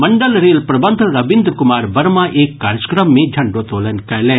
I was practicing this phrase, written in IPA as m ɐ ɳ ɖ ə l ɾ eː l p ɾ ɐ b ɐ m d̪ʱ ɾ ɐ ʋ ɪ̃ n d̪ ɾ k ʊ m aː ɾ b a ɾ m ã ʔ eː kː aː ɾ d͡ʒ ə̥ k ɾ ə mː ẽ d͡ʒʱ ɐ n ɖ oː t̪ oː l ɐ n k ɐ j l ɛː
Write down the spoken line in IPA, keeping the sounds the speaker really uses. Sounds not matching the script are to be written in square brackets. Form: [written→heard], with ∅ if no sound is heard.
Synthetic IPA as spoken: m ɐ ɳ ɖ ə l ɾ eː l p ɾ ɐ b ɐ [m→n] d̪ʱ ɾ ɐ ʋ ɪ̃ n d̪ ɾ k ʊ m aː ɾ b [a→ɐ] ɾ m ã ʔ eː kː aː ɾ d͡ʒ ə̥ k ɾ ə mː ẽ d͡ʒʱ ɐ [n→ɳ] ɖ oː t̪ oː l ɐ n k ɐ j l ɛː